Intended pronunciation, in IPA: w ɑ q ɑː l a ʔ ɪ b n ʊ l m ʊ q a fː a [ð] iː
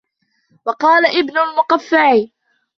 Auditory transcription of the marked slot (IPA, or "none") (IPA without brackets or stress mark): ʕ